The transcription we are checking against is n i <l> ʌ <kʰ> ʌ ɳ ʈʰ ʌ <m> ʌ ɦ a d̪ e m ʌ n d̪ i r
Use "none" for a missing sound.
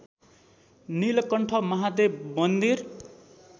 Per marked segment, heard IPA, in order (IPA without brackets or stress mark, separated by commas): l, k, m